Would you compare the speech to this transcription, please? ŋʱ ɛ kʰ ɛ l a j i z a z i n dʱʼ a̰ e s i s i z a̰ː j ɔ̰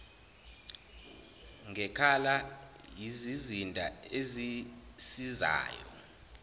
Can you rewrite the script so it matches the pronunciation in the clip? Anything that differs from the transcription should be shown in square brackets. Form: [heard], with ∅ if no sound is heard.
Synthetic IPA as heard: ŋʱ ɛ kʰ [a] l a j i z [i] z i n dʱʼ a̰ e [z] i s i z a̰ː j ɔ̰